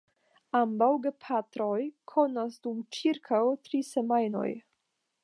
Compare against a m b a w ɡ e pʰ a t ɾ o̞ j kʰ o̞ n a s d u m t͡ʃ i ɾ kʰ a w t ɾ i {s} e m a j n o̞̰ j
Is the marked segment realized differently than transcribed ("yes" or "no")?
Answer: no